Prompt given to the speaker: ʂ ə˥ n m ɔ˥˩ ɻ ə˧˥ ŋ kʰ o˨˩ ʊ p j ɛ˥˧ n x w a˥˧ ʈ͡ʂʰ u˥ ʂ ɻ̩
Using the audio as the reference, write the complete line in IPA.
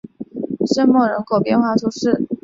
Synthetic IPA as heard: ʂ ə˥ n m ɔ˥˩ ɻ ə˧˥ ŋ kʰ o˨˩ ʊ p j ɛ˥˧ n x w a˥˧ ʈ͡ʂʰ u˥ ʂ ɻ̩